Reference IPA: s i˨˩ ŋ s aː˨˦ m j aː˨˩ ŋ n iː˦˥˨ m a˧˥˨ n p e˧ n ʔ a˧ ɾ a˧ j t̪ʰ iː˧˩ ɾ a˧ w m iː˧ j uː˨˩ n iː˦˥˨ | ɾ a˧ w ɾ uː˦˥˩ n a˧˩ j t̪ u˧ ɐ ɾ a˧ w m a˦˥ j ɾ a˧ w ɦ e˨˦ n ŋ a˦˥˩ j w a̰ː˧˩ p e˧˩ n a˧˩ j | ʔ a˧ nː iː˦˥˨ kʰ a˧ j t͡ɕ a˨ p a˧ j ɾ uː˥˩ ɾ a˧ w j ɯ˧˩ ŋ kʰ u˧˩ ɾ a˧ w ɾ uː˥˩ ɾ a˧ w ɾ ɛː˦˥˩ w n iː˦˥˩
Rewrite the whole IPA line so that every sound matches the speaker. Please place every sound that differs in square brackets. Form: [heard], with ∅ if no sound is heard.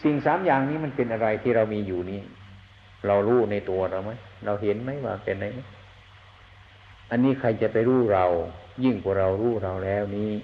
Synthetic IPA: s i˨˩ ŋ s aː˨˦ m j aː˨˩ ŋ n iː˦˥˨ m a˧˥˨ n p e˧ n ʔ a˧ ɾ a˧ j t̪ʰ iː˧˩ ɾ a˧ w m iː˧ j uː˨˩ n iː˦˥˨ | ɾ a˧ w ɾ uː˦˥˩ n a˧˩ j t̪ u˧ ɐ ɾ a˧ w m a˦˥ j ɾ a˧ w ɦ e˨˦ n [m] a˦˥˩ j w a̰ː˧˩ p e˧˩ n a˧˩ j | ʔ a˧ nː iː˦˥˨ kʰ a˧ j t͡ɕ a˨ p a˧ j ɾ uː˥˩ ɾ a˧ w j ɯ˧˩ ŋ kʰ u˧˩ ɾ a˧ w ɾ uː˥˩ ɾ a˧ w [l] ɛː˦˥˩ w n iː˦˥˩